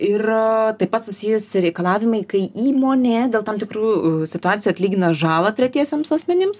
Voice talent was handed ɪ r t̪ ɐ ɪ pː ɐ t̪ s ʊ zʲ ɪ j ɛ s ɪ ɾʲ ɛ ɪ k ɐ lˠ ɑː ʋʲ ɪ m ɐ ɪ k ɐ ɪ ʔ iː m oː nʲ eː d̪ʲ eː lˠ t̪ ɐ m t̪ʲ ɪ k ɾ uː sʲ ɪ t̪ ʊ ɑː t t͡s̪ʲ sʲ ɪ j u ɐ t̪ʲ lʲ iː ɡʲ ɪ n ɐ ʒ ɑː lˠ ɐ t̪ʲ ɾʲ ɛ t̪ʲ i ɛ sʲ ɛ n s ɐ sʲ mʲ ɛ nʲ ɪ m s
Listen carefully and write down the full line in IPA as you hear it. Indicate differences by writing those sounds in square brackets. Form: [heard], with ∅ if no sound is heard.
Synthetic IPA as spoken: ɪ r t̪ ɐ ɪ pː ɐ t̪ s ʊ [sʲ] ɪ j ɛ s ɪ ɾʲ ɛ ɪ k ɐ lˠ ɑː ʋʲ ɪ m ɐ ɪ k ɐ ɪ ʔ iː m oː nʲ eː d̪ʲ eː lˠ t̪ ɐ m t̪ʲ ɪ k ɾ uː sʲ ɪ t̪ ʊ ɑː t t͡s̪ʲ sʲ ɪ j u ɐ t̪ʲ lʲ iː ɡʲ ɪ n ɐ ʒ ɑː lˠ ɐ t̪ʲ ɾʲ ɛ t̪ʲ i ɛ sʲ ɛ [m] s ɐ sʲ mʲ ɛ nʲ ɪ m s

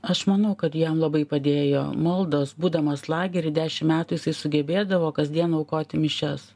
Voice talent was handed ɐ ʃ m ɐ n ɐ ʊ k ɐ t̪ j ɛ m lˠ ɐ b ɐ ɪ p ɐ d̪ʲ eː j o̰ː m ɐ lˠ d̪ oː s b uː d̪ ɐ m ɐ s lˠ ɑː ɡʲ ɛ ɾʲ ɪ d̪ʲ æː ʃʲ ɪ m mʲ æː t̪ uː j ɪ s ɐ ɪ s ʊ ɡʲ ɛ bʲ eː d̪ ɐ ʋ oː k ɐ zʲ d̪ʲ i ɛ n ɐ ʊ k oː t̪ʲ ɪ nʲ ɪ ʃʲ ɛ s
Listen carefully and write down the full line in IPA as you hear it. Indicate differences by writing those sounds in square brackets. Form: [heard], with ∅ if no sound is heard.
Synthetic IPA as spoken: ɐ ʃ m ɐ n ɐ ʊ k ɐ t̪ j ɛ m lˠ ɐ b ɐ ɪ p ɐ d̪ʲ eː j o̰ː m ɐ lˠ d̪ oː s b uː d̪ ɐ m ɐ s lˠ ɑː ɡʲ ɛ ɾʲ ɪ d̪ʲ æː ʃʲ ɪ m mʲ æː t̪ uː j ɪ s ɐ ɪ s ʊ ɡʲ ɛ bʲ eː d̪ ɐ ʋ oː k ɐ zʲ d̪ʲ i ɛ n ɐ ʊ k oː t̪ʲ ɪ [mʲ] ɪ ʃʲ ɛ s

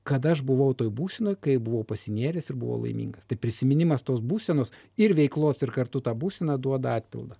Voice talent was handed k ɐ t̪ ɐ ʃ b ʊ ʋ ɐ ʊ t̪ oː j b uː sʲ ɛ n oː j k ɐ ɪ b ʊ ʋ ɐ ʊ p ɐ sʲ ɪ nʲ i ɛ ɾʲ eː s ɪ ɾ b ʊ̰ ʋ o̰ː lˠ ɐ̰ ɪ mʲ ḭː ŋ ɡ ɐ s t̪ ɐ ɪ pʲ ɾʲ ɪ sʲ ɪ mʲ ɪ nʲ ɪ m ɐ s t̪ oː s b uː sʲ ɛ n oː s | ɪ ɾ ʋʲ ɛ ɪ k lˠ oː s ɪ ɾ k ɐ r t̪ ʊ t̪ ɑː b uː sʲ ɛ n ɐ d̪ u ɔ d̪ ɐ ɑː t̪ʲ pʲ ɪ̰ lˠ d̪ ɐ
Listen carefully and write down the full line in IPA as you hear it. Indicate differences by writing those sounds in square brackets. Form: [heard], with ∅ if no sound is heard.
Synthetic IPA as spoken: k ɐ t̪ ɐ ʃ b ʊ ʋ ɐ ʊ t̪ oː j b uː sʲ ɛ n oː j k ɐ ɪ b ʊ ʋ ɐ ʊ p ɐ sʲ ɪ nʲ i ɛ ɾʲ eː s ɪ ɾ b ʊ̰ ʋ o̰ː lˠ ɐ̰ ɪ mʲ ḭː ŋ ɡ ɐ s t̪ ɐ ɪ pʲ ɾʲ ɪ sʲ ɪ mʲ ɪ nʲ ɪ m ɐ s t̪ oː s b uː sʲ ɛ n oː s | ɪ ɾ ʋʲ ɛ ɪ k lˠ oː s ɪ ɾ k ɐ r t̪ ʊ t̪ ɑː b uː sʲ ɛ n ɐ d̪ u ɔ d̪ ɐ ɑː t̪ʲ pʲ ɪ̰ lˠ d̪ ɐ

